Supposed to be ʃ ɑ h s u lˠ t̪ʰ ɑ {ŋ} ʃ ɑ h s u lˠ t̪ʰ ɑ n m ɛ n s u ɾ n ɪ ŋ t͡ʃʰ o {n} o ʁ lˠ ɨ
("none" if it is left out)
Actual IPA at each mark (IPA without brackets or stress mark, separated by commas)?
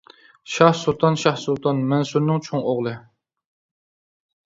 n, ŋ